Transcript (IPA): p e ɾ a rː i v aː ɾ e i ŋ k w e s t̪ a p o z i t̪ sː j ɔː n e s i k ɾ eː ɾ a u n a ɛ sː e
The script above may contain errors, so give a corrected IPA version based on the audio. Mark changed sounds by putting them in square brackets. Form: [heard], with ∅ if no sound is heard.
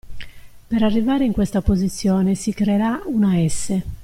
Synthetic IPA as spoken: p e ɾ a rː i v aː ɾ e i ŋ k w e s t̪ a p o z i t̪ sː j ɔː n e s i k ɾ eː ɾ a u n a ɛ sː e